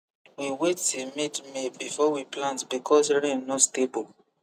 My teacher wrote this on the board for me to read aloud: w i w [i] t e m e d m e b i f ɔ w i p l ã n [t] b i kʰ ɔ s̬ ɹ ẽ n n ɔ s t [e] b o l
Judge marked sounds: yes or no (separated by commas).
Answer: no, yes, yes